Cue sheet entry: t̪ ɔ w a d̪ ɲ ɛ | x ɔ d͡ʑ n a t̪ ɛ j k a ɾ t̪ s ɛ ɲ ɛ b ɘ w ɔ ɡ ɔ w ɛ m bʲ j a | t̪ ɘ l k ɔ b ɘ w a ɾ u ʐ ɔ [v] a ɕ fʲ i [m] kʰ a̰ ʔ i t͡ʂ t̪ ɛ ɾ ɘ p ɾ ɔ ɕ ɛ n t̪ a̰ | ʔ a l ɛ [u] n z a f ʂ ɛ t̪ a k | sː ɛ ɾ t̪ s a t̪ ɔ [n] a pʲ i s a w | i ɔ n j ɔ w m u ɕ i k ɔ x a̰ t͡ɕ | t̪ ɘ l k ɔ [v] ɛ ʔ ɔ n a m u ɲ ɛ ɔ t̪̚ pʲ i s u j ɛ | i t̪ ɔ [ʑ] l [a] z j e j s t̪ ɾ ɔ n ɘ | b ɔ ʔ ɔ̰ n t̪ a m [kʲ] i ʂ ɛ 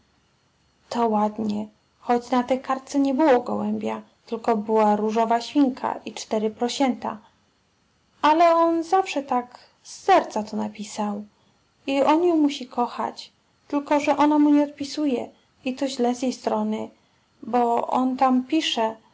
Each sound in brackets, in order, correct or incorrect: correct, incorrect: ŋ, incorrect: ɔ, correct, incorrect: ʐ, correct, incorrect: ɛ, incorrect: pʲ

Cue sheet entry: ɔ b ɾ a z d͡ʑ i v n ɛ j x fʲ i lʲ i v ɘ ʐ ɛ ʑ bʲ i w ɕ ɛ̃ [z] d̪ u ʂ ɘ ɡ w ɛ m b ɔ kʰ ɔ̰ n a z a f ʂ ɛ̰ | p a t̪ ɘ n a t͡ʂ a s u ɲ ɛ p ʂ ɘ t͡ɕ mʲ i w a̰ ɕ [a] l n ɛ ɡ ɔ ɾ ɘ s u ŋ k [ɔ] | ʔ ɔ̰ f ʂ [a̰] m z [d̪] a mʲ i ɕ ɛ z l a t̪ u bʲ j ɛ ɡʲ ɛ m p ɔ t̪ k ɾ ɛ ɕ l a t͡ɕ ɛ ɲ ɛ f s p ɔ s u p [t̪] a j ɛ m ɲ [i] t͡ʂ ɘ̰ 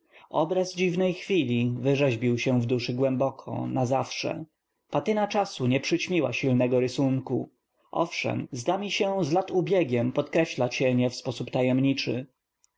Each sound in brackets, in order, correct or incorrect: incorrect: v, incorrect: i, incorrect: u, incorrect: ɛ̰, correct, correct, correct

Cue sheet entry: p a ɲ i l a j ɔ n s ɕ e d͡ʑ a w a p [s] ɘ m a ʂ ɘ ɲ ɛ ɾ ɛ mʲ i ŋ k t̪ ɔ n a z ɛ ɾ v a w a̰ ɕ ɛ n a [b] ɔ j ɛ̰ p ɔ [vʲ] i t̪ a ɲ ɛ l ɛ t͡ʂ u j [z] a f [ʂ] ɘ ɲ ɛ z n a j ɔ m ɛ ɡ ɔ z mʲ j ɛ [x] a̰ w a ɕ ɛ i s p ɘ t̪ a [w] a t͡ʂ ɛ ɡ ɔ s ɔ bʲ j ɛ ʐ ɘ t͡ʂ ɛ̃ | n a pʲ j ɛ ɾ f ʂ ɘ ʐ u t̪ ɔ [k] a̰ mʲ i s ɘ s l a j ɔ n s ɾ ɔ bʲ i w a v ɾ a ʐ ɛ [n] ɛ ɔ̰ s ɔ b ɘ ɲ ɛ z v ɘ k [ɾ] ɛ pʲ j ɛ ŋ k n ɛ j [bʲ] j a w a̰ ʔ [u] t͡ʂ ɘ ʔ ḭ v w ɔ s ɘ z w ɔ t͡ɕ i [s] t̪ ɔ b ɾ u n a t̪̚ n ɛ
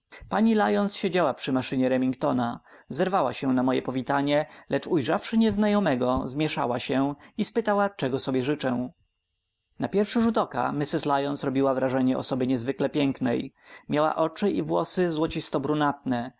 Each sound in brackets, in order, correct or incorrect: incorrect: ʂ, incorrect: m, correct, incorrect: ʐ, correct, incorrect: ʂ, correct, correct, incorrect: ɲ, incorrect: l, incorrect: mʲ, incorrect: ɔ, correct

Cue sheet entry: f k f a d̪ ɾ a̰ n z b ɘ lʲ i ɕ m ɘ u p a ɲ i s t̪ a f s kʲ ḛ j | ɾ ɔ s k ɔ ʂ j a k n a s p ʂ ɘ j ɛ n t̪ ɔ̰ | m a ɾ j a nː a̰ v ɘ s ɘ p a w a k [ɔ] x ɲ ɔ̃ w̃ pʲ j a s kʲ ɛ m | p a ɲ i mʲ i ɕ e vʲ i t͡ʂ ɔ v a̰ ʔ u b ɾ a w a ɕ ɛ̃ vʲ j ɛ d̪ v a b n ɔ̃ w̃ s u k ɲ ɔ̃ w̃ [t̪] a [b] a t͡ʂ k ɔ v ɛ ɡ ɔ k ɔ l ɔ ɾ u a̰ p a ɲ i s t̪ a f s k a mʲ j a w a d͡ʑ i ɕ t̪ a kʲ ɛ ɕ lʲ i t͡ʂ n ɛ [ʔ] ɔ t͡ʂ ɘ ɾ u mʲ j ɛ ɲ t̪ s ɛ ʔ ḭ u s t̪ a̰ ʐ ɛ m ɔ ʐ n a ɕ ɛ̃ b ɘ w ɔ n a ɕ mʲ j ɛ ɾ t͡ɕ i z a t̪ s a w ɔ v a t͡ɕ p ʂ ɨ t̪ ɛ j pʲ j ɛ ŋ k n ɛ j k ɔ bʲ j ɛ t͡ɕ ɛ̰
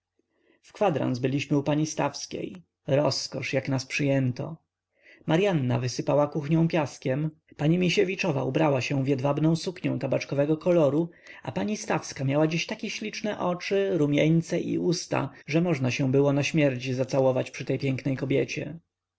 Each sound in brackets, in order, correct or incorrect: incorrect: u, correct, correct, correct

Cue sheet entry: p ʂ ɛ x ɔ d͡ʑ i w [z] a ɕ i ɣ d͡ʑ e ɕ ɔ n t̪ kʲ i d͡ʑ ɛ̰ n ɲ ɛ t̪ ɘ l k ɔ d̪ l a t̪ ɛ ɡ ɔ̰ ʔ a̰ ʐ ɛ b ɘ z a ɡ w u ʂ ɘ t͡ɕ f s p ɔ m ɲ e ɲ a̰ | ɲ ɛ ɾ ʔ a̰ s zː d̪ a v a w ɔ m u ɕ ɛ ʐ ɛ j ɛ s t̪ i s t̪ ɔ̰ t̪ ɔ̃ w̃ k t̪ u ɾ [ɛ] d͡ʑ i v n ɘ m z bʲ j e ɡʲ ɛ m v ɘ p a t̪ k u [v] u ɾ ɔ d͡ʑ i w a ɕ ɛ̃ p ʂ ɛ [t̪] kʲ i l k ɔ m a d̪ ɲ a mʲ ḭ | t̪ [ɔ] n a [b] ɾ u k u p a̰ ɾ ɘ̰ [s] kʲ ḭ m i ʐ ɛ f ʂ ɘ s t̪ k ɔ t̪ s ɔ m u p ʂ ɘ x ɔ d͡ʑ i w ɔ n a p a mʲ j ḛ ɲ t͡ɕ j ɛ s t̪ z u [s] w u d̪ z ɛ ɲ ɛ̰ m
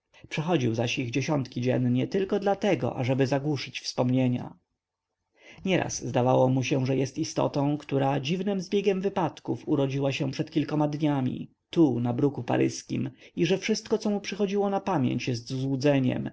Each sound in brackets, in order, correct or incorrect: correct, incorrect: a, incorrect: f, correct, incorrect: u, correct, correct, incorrect: z

